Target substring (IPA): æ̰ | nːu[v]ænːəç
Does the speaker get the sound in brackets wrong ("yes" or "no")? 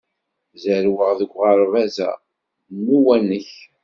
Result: yes